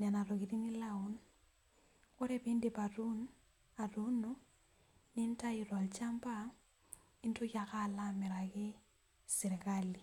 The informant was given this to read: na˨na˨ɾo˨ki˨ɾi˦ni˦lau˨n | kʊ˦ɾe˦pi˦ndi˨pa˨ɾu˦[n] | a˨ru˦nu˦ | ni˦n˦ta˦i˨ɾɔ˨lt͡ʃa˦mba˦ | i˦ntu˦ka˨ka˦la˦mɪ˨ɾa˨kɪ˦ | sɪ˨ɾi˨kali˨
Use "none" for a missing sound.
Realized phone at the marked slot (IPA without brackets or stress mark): n